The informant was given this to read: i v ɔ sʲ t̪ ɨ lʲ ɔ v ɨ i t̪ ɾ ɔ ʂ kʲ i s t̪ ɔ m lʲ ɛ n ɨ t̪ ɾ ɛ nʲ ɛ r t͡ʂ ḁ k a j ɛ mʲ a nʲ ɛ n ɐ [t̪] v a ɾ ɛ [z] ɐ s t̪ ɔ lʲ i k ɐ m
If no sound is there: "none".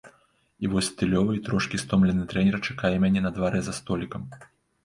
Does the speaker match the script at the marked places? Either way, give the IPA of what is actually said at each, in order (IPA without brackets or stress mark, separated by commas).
d̪, z